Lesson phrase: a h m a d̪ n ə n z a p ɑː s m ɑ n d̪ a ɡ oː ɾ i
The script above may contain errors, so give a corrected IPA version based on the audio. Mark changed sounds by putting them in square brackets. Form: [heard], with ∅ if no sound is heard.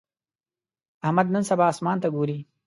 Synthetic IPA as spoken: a h m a d̪ n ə n [s] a [b] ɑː s m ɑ n [t̪] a ɡ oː ɾ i